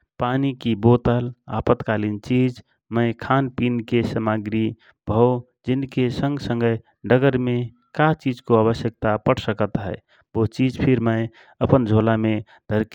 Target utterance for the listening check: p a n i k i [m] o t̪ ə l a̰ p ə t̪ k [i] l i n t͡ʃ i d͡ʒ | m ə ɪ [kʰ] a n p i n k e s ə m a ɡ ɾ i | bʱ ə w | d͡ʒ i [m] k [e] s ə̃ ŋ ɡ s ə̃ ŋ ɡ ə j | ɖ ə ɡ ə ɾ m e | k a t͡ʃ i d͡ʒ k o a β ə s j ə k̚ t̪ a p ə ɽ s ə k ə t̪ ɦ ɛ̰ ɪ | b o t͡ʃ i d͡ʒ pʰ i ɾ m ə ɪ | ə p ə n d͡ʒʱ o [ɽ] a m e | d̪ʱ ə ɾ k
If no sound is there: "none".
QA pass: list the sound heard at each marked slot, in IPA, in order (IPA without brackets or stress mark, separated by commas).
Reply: b, a, kʰ, n, e, l